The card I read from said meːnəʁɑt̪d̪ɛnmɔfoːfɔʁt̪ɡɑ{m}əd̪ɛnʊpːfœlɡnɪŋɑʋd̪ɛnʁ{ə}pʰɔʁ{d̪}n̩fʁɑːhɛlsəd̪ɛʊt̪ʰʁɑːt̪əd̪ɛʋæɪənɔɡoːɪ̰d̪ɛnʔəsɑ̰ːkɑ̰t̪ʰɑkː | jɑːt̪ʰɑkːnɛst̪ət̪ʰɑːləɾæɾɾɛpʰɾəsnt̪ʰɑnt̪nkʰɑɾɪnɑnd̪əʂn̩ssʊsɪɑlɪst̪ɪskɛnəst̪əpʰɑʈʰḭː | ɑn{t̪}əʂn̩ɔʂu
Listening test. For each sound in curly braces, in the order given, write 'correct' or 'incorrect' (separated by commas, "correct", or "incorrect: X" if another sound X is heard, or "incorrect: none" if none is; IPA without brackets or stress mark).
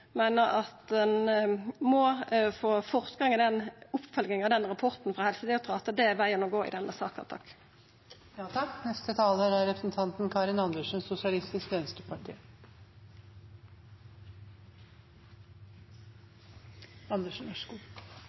incorrect: ŋ, incorrect: ɑ, incorrect: t̪, incorrect: d̪